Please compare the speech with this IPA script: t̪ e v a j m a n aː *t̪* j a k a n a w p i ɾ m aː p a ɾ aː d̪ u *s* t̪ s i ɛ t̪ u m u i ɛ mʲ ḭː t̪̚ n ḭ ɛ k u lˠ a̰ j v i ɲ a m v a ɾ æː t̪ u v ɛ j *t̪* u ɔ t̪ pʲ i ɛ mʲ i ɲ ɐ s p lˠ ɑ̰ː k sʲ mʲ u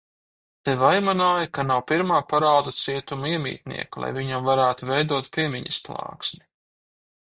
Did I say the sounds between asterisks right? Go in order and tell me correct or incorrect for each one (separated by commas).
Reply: incorrect, incorrect, incorrect